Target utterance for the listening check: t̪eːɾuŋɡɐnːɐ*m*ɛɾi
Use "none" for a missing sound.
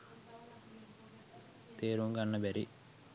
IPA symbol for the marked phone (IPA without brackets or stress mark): b